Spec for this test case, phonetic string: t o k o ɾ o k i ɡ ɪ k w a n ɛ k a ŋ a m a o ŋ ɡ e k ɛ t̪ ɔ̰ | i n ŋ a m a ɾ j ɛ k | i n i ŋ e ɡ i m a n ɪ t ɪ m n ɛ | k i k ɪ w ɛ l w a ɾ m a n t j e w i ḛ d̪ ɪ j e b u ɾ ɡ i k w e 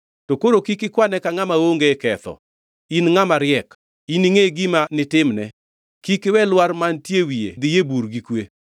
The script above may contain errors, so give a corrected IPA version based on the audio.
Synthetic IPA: t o k o ɾ o k i k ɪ k w a n ɛ k a ŋ a m a o ŋ ɡ e k ɛ t̪ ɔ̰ | i n ŋ a m a ɾ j ɛ k | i n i ŋ e ɡ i m a n ɪ t ɪ m n ɛ | k i k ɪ w ɛ l w a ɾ m a n t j e w i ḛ d̪ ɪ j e b u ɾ ɡ i k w e

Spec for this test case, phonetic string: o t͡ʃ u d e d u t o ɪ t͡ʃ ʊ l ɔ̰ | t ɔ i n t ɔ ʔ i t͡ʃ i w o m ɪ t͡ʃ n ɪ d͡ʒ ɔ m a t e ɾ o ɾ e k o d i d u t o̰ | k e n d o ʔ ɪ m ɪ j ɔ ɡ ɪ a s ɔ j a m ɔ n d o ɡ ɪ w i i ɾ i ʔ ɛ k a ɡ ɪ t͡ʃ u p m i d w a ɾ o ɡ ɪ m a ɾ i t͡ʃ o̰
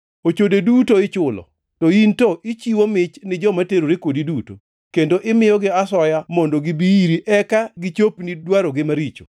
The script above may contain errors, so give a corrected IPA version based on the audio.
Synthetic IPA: o t͡ʃ o d e d u t o ɪ t͡ʃ ʊ l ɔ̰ | t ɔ i n t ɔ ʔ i t͡ʃ i w o m ɪ t͡ʃ n ɪ d͡ʒ ɔ m a t e ɾ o ɾ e k o d i d u t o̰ | k e n d o ʔ ɪ m ɪ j ɔ ɡ ɪ a s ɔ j a m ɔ n d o ɡ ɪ b i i ɾ i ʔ ɛ k a ɡ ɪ t͡ʃ o p n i d w a ɾ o ɡ ɪ m a ɾ i t͡ʃ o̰

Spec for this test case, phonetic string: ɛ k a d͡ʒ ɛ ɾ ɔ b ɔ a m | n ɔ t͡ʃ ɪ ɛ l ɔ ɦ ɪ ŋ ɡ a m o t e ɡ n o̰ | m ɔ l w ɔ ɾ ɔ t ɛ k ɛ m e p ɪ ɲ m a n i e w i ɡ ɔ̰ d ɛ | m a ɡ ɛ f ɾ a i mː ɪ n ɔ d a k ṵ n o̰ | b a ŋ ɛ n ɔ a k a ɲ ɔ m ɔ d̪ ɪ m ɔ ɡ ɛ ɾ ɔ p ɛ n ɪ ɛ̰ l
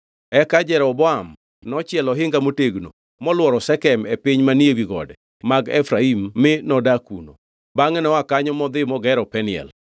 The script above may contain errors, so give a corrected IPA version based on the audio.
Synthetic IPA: ɛ k a d͡ʒ ɛ ɾ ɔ b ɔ a m | n ɔ t͡ʃ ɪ ɛ l ɔ ɦ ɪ ŋ ɡ a m o t e ɡ n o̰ | m ɔ l w ɔ ɾ ɔ s ɛ k ɛ m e p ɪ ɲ m a n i e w i ɡ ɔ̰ d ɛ | m a ɡ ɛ f ɾ a i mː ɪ n ɔ d a k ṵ n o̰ | b a ŋ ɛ n ɔ a k a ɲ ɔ m ɔ d̪ ɪ m ɔ ɡ ɛ ɾ ɔ p ɛ n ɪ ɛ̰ l

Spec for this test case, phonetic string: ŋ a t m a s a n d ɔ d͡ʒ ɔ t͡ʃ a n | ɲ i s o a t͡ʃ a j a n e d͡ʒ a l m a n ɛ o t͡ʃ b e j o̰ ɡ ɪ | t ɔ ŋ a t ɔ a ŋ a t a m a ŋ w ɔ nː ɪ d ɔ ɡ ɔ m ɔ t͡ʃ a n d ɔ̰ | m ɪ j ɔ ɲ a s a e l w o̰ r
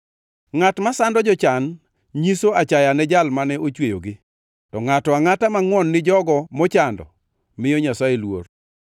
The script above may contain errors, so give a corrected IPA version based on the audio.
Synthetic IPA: ŋ a t m a s a n d ɔ d͡ʒ ɔ t͡ʃ a n | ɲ i s o a t͡ʃ a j a n ɛ d͡ʒ a l m a n ɛ o t͡ʃ w e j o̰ ɡ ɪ | t ɔ ŋ a t ɔ a ŋ a t a m a ŋ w ɔ nː ɪ d͡ʒ ɔ ɡ ɔ m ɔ t͡ʃ a n d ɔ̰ | m ɪ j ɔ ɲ a s a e l w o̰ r

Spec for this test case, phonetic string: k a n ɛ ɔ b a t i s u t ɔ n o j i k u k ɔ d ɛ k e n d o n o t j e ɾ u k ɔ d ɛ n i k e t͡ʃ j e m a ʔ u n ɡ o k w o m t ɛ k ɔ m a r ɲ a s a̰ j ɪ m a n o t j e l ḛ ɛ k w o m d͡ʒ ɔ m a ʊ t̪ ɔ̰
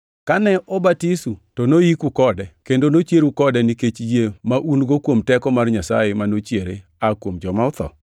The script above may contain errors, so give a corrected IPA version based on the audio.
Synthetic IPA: k a n ɛ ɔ b a t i s u t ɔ n o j i k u k ɔ d ɛ k e n d o n o t͡ʃ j e ɾ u k ɔ d ɛ n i k e t͡ʃ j e m a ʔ u n ɡ o k w o m t ɛ k ɔ m a r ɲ a s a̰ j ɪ m a n o t͡ʃ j e ɾ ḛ a k w o m d͡ʒ ɔ m a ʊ t̪ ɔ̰

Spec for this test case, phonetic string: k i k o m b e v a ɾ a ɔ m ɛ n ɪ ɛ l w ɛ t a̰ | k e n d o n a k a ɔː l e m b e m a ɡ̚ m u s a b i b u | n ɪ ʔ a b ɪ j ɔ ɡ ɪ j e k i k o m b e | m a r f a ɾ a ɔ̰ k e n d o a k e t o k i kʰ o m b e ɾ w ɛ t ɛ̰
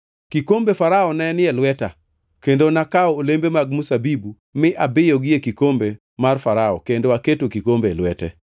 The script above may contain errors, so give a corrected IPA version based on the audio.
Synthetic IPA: k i k o m b e f a ɾ a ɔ n ɛ n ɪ ɛ l w ɛ t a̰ | k e n d o n a k a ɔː l e m b e m a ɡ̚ m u s a b i b u | m ɪ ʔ a b ɪ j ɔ ɡ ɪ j e k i k o m b e | m a r f a ɾ a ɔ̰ k e n d o a k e t o k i k o m b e l w ɛ t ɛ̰

